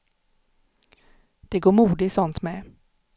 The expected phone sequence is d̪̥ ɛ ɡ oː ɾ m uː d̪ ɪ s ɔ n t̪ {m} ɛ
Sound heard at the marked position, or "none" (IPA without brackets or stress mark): m